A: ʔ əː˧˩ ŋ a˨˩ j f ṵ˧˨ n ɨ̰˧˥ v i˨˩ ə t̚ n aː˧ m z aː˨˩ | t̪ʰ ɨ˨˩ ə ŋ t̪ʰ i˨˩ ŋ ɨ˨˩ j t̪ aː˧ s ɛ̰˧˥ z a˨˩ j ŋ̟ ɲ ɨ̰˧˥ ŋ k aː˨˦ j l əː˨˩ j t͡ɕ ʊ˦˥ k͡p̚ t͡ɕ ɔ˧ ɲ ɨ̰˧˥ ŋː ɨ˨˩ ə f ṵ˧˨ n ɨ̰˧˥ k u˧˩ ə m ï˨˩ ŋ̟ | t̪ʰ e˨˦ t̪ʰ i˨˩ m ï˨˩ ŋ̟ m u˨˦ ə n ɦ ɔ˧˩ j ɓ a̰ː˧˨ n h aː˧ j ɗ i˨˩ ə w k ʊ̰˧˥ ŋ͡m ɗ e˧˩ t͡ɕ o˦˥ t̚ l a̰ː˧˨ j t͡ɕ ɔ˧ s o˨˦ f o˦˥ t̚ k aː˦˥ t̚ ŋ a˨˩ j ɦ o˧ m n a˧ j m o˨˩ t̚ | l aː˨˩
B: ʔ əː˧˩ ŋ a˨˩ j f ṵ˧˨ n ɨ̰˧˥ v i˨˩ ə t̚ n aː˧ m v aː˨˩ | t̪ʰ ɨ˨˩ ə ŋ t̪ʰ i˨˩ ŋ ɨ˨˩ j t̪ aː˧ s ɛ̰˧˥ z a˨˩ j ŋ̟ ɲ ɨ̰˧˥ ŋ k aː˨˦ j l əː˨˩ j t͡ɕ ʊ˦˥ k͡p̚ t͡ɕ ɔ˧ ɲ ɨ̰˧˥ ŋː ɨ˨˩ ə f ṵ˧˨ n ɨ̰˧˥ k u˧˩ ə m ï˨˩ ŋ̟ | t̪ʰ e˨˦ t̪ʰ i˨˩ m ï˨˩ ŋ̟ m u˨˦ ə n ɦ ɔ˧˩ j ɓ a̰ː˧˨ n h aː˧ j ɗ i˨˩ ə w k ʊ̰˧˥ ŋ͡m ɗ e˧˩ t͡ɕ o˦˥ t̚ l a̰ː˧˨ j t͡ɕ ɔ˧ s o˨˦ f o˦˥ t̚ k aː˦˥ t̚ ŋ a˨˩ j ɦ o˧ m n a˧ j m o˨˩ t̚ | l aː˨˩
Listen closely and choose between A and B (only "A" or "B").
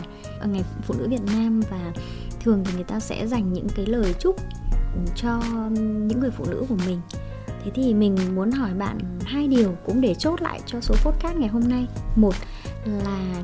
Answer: B